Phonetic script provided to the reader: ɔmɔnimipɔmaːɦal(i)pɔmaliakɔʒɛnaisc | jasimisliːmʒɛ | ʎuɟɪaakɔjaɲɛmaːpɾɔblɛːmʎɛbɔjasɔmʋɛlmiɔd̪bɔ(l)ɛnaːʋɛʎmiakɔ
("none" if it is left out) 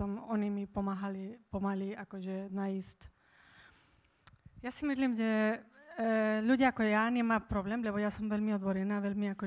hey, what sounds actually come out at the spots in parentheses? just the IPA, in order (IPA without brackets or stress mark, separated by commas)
i, ɾ